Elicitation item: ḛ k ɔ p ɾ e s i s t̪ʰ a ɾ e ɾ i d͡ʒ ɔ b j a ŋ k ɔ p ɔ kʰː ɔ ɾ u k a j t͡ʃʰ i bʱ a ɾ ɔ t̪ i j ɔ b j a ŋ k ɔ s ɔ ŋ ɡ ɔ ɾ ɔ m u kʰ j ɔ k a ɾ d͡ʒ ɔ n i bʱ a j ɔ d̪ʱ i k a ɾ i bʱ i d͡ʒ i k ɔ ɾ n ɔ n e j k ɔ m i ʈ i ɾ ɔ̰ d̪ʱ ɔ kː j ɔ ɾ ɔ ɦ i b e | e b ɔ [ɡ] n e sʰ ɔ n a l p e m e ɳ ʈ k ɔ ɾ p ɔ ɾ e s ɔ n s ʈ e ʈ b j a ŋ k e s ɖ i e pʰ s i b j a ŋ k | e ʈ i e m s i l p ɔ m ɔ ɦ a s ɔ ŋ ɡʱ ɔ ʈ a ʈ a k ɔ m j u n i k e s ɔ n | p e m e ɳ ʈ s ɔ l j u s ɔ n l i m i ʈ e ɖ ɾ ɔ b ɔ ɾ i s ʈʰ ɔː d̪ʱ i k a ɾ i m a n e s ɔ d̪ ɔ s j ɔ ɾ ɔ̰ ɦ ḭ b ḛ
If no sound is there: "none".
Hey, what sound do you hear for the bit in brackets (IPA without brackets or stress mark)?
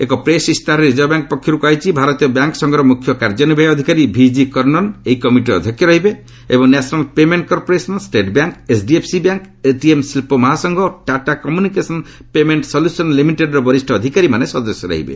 ŋ